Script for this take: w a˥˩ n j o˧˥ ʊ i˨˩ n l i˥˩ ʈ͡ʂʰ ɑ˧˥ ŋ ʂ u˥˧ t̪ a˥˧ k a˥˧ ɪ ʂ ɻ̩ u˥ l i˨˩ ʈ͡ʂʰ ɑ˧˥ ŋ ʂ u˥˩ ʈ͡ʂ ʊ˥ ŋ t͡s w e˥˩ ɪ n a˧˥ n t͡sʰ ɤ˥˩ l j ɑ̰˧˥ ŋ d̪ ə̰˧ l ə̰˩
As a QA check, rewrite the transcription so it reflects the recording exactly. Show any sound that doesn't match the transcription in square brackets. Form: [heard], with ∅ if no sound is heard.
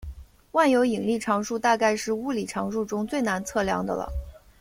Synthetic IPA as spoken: w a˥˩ n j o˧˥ ʊ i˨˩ [ŋ] l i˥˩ ʈ͡ʂʰ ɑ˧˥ ŋ ʂ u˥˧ t̪ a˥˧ k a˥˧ ɪ ʂ ɻ̩ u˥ l i˨˩ ʈ͡ʂʰ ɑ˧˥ ŋ ʂ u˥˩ ʈ͡ʂ ʊ˥ ŋ t͡s w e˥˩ ɪ n a˧˥ n t͡sʰ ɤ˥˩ l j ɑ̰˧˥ ŋ d̪ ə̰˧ l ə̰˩